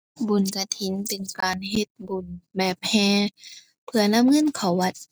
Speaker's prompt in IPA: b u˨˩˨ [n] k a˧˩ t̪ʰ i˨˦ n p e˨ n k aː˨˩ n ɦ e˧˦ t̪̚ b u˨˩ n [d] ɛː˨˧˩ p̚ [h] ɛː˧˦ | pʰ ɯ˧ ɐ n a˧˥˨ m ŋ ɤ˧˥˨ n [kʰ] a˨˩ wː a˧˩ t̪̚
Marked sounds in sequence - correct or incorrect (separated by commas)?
correct, incorrect, correct, correct